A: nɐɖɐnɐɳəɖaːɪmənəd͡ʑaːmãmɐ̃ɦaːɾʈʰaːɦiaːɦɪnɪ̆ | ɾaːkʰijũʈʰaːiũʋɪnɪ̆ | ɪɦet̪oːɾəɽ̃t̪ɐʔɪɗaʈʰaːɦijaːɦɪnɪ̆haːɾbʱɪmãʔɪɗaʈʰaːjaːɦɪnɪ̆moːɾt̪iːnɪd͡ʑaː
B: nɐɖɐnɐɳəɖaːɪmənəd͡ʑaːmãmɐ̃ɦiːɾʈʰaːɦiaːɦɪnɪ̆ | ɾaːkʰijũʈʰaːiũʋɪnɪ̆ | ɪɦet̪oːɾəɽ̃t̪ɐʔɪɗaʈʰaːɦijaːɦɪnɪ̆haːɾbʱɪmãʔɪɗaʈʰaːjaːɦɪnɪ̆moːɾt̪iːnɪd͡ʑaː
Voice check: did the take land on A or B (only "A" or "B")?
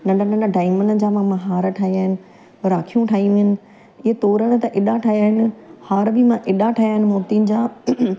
A